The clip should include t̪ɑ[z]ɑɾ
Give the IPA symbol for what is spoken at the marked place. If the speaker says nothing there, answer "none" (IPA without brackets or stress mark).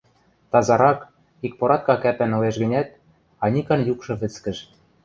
z